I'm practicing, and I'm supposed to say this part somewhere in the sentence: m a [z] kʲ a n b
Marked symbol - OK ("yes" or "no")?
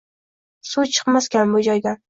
no